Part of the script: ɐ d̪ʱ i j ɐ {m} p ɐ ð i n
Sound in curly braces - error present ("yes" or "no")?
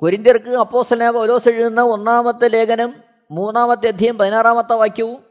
no